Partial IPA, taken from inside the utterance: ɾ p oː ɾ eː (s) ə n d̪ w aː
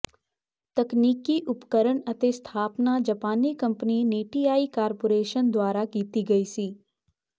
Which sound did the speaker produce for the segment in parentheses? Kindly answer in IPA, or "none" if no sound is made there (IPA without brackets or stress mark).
ʃ